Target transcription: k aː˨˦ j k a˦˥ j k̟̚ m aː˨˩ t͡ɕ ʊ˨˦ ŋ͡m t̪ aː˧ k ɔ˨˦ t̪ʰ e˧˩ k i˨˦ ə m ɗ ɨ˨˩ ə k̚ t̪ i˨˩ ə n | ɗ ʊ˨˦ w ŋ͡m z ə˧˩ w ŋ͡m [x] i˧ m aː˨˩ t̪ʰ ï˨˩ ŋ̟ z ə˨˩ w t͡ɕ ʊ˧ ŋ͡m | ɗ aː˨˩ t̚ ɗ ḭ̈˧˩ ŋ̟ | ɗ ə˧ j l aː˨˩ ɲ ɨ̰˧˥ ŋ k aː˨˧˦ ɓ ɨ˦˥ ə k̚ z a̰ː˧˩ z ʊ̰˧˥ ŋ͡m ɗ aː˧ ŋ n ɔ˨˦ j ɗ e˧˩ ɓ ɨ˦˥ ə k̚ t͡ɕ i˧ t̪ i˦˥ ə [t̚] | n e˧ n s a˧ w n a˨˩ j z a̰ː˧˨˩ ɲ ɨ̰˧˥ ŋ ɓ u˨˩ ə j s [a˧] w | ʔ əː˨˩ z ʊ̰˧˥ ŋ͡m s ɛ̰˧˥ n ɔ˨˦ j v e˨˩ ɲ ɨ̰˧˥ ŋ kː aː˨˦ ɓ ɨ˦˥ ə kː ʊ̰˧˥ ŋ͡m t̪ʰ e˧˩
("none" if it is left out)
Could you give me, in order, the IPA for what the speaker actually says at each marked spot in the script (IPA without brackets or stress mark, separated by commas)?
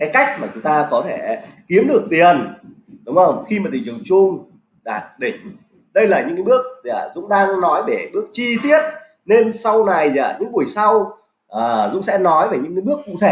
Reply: x, t̚, a˧